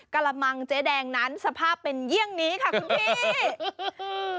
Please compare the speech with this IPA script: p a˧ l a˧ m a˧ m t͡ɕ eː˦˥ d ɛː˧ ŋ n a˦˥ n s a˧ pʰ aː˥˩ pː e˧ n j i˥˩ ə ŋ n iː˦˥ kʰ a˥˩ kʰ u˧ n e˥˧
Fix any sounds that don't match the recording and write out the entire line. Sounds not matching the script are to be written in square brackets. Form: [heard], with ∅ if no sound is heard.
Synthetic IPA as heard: [k] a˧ l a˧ m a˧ [ŋ] t͡ɕ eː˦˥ d ɛː˧ ŋ n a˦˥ n s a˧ pʰ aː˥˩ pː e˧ n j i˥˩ ə ŋ n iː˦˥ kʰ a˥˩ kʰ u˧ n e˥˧

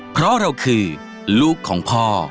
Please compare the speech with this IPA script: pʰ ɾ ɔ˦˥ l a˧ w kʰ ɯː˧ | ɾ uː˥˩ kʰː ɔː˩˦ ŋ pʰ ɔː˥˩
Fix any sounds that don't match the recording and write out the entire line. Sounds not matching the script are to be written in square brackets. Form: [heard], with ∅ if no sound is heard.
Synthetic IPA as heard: pʰ ɾ ɔ˦˥ [ɾ] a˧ w kʰ ɯː˧ | [l] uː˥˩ kʰː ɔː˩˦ ŋ pʰ ɔː˥˩

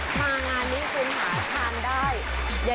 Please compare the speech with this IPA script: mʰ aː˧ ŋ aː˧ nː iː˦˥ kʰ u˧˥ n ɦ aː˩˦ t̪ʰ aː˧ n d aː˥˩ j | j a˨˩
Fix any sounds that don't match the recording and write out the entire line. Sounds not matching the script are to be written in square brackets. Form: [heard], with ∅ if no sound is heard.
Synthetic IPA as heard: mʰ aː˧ ŋ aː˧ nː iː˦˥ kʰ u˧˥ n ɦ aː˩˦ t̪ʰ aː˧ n d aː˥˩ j | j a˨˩

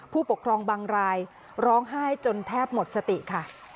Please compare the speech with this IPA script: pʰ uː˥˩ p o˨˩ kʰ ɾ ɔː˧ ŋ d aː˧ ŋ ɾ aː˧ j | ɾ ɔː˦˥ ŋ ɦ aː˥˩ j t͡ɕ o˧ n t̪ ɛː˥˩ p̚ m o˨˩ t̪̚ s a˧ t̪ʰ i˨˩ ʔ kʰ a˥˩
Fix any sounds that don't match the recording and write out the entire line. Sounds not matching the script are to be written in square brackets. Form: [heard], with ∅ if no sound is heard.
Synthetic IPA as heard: pʰ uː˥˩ p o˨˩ kʰ ɾ ɔː˧ ŋ [b] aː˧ ŋ ɾ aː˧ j | ɾ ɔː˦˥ ŋ ɦ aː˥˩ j t͡ɕ o˧ n [t̪ʰ] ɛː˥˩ p̚ m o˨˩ t̪̚ s a˧ [t̪] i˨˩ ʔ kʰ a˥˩

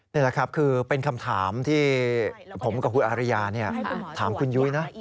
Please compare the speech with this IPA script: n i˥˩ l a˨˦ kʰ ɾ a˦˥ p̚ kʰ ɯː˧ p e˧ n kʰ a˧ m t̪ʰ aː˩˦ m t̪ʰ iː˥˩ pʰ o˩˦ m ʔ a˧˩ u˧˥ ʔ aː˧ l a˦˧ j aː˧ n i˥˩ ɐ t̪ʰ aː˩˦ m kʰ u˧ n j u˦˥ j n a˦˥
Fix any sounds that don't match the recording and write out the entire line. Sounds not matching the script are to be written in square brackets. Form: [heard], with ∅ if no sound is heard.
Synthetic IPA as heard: n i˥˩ l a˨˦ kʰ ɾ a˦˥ p̚ kʰ ɯː˧ p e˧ n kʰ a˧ m t̪ʰ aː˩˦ m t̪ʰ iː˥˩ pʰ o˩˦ m [k] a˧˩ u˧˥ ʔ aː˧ [ɾ] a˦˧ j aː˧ n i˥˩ ɐ t̪ʰ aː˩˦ m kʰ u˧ n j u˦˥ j n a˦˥

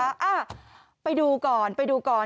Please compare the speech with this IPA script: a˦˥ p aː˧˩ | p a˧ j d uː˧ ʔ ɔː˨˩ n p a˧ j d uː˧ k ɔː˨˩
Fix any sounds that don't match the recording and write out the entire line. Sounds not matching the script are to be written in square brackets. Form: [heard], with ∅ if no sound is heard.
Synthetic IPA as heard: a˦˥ [ʔ] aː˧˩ | p a˧ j d uː˧ [k] ɔː˨˩ n p a˧ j d uː˧ k ɔː˨˩

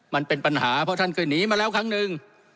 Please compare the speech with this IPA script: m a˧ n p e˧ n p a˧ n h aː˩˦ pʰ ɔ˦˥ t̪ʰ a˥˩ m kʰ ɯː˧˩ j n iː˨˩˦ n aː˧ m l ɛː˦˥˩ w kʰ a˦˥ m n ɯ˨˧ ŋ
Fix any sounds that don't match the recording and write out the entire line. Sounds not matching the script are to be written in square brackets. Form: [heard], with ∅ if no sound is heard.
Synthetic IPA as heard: m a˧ n p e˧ n p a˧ n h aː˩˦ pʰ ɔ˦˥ t̪ʰ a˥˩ [n] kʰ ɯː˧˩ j n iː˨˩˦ [m] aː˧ [∅] l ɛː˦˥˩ w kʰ a˦˥ [ŋ] n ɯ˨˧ ŋ

